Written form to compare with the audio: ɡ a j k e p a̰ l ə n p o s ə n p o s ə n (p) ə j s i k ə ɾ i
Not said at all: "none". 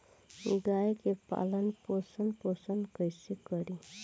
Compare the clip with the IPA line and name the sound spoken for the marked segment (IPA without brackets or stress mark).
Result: k